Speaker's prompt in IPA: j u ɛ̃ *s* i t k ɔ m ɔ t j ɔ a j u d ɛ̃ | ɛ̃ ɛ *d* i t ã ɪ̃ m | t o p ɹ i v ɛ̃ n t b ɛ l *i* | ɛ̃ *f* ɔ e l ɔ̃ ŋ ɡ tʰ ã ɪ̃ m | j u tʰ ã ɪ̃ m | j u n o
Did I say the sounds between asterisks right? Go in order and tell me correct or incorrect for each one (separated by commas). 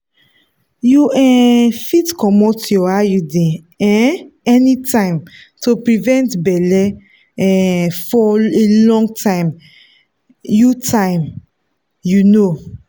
incorrect, incorrect, incorrect, correct